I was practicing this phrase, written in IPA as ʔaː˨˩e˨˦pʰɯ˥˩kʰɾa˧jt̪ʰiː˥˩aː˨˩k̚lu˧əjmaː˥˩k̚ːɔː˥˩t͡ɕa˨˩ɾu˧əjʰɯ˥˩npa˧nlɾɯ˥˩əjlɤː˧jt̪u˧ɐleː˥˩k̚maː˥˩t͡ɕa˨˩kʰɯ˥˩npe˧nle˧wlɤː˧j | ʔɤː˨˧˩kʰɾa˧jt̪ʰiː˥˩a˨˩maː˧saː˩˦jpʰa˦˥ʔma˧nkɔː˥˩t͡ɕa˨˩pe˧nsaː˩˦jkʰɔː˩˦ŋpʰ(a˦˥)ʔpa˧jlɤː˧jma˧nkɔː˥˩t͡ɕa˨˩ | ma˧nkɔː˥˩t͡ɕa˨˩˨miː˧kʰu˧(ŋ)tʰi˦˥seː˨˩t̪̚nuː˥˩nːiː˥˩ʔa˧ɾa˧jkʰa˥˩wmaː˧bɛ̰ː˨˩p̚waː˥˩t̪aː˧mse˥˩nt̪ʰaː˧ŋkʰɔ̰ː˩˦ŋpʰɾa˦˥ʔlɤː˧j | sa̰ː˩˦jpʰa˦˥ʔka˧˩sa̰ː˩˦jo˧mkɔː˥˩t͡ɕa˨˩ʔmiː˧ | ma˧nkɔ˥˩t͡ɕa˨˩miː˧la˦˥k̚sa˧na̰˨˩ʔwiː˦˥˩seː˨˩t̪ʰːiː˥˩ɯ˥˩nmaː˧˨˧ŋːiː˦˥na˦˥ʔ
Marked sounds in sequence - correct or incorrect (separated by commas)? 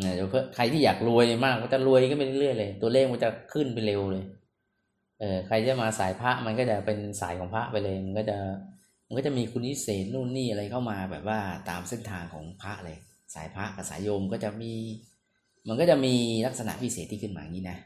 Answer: correct, incorrect